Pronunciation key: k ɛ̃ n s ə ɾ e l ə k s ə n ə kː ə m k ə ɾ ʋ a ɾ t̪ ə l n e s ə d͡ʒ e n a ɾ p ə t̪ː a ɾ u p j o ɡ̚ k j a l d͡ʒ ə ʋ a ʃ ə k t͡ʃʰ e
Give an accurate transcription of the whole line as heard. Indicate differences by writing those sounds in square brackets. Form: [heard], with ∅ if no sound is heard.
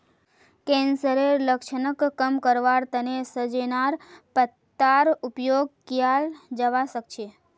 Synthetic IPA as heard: k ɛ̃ n s ə ɾ e l ə k [ʃ] ə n ə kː ə m k ə ɾ ʋ a ɾ t̪ ə [∅] n e s ə d͡ʒ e n a ɾ p ə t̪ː a ɾ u p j o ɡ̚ k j a l d͡ʒ ə ʋ a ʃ ə k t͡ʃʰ e